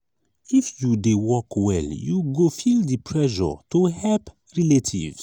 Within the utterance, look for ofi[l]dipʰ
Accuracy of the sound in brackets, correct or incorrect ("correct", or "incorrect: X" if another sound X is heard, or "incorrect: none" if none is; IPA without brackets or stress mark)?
correct